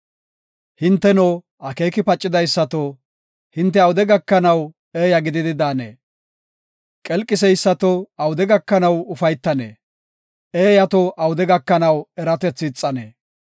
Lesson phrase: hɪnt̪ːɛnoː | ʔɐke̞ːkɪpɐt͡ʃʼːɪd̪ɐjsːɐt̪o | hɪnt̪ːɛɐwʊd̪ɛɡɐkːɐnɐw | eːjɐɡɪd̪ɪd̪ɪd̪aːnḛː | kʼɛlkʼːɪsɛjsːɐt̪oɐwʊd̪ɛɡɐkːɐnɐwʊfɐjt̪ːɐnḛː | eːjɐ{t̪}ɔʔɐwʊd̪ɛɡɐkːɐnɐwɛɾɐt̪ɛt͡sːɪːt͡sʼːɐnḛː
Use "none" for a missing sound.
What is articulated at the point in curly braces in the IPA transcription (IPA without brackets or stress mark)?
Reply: t̪